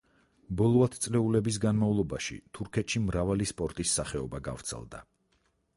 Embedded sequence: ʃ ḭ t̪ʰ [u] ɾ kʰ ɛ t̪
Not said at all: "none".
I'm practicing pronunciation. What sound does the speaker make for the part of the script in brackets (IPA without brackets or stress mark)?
u